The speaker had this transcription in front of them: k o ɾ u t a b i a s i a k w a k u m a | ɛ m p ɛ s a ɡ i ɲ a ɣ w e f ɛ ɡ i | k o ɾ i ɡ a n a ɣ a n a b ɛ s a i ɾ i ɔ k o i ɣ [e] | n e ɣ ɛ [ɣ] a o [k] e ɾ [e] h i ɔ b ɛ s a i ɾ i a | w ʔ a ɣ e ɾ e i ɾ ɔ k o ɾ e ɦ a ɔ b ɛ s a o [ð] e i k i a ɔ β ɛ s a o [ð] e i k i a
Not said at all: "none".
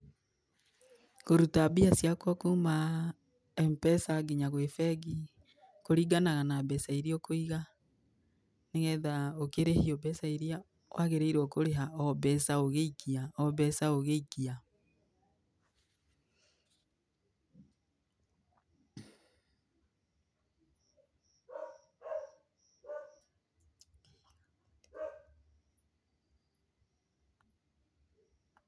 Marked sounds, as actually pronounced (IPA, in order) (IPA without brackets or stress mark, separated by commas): a, ð, k, e, ɣ, ɣ